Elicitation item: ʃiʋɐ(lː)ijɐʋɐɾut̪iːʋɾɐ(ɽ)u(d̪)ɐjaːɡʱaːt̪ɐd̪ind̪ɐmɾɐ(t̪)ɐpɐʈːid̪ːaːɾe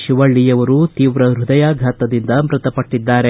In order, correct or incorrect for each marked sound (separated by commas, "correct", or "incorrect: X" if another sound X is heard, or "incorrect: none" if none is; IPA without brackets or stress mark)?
incorrect: ɭː, incorrect: ɾ, correct, correct